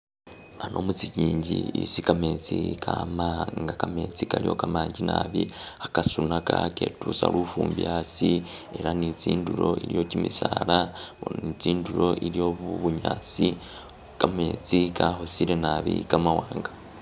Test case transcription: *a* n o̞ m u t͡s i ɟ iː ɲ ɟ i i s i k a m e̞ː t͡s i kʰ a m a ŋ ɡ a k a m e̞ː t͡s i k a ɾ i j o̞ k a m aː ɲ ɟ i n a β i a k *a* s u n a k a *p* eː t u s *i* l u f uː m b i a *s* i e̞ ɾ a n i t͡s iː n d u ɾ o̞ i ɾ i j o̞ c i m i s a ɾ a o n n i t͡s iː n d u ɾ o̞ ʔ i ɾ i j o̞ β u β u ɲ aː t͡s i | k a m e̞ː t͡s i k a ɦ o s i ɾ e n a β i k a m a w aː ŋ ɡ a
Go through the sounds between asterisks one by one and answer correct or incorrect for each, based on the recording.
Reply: correct, correct, incorrect: k, incorrect: a, correct

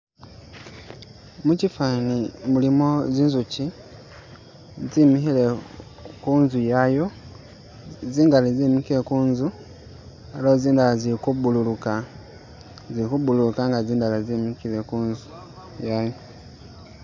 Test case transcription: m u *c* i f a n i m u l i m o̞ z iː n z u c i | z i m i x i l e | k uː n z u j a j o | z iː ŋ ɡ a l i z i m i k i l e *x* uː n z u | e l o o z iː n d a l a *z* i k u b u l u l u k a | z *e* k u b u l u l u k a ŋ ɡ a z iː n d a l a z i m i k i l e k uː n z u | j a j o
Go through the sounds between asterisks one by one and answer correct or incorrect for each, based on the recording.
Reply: correct, incorrect: k, correct, incorrect: i

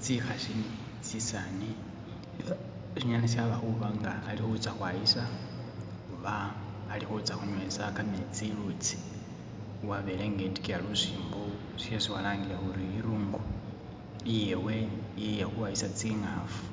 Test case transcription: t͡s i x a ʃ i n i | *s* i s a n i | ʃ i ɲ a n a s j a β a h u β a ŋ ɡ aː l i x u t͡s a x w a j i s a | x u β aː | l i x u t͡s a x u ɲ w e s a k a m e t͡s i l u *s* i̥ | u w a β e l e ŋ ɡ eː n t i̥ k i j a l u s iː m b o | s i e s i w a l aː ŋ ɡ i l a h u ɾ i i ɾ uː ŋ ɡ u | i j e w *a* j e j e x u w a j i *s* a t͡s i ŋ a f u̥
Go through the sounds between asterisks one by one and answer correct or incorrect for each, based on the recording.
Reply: incorrect: t͡s, incorrect: t͡s, incorrect: e, correct

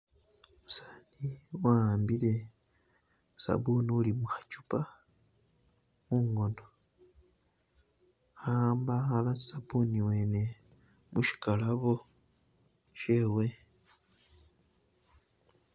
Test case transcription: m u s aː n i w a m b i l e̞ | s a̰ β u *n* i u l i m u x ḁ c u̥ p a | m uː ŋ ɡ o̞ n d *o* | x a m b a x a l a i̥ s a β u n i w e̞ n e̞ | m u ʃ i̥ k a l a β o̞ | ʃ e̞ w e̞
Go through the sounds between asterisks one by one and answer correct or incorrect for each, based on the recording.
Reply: correct, correct

